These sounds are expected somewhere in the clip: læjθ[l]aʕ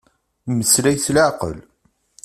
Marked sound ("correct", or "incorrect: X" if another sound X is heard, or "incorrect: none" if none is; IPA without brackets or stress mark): correct